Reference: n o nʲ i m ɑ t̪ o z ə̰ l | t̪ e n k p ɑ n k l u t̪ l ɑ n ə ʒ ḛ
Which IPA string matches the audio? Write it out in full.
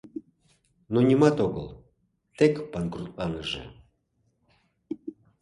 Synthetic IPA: n o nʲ i m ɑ t̪ o ɣ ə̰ l | t̪ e k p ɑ n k r u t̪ l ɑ n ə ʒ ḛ